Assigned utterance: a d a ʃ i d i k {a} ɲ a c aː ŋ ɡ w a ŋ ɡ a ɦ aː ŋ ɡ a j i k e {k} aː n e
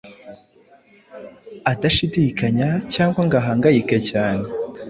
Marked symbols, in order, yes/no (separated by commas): yes, no